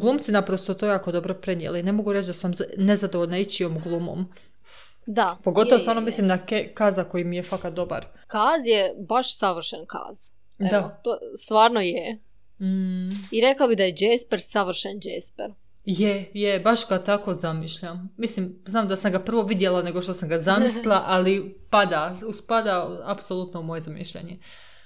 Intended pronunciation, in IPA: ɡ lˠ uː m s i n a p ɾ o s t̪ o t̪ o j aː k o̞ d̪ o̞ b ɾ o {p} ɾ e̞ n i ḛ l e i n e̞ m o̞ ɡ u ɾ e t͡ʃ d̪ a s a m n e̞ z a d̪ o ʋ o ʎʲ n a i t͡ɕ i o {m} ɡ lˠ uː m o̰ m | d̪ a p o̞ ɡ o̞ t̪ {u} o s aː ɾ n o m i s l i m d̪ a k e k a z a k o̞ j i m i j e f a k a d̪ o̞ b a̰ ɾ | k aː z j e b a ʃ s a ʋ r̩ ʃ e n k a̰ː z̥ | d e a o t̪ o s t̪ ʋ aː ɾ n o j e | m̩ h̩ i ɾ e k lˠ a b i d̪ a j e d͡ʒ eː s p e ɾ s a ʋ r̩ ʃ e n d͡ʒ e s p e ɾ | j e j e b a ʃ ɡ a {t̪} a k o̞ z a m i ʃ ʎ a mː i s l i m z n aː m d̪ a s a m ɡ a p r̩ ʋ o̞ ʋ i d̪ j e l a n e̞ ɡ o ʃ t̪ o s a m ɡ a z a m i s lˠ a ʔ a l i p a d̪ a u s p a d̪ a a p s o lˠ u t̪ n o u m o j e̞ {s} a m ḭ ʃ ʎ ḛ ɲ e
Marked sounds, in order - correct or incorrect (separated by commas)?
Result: correct, correct, incorrect, correct, incorrect